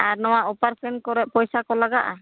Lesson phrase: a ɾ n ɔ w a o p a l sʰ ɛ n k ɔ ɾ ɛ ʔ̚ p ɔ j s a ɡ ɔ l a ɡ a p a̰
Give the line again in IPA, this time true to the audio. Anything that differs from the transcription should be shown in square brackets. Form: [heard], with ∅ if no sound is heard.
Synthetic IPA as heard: a ɾ n ɔ w a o p a [ɾ] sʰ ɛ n k ɔ ɾ ɛ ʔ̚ p ɔ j s a [k] ɔ l a ɡ a [ʔ] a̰